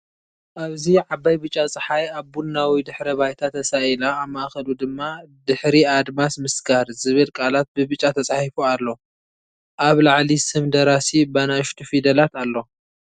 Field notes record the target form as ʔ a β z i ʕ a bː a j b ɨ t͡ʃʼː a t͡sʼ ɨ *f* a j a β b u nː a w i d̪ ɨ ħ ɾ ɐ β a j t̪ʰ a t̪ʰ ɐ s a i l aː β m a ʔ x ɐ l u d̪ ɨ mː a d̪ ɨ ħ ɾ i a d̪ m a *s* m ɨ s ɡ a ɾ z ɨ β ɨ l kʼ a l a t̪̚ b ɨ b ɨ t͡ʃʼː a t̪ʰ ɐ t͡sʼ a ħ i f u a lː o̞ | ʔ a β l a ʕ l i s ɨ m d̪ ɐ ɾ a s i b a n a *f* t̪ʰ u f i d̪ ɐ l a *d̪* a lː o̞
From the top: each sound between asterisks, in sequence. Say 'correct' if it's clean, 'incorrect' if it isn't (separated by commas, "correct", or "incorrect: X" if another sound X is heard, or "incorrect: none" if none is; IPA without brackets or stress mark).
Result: incorrect: ħ, correct, incorrect: ʃ, incorrect: t̪